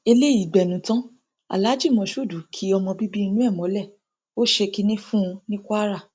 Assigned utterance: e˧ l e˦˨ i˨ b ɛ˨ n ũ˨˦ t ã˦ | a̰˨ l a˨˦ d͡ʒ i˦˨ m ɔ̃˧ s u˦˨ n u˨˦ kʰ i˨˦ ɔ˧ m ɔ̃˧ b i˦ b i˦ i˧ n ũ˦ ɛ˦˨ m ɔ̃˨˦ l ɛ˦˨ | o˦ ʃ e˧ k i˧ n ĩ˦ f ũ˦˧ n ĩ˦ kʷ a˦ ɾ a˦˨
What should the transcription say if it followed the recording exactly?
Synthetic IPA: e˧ l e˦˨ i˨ ɡ͡b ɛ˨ n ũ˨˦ t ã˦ | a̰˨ l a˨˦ d͡ʒ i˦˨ m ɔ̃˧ ʃ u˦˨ d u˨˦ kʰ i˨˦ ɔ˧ m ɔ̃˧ b i˦ b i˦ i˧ n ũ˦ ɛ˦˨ m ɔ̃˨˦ l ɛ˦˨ | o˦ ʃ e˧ k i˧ n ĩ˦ f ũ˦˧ n ĩ˦ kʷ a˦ ɾ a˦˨